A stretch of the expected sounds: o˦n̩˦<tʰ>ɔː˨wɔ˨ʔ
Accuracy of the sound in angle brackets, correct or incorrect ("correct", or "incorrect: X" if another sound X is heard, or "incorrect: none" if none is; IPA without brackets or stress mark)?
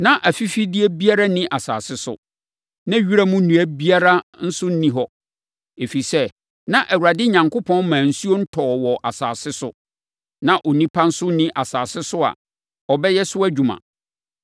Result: correct